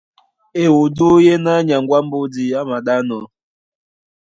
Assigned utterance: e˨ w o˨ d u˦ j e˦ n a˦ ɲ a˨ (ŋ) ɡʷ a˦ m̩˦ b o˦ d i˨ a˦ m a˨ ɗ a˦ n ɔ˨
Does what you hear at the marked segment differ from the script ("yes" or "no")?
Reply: no